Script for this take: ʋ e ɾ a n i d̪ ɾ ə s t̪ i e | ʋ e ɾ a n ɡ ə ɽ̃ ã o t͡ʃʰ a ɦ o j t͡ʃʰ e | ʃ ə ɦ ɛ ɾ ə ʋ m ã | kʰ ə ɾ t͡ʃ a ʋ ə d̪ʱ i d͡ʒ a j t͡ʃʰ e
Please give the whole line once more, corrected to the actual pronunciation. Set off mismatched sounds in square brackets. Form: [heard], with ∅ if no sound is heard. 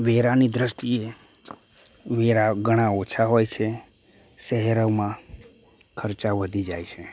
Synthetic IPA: ʋ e ɾ a n i d̪ ɾ ə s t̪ i e | ʋ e ɾ a [∅] ɡ ə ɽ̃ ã o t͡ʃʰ a ɦ o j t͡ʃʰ e | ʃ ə ɦ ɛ ɾ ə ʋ m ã | kʰ ə ɾ t͡ʃ a ʋ ə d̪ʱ i d͡ʒ a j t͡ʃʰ e